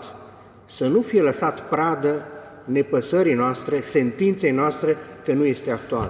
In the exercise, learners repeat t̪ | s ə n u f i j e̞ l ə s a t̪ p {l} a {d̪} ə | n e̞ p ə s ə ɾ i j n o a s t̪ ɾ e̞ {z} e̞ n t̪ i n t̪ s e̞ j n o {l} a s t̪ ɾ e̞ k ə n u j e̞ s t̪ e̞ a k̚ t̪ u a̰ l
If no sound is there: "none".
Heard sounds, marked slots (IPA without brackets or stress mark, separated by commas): ɾ, d̪, s, none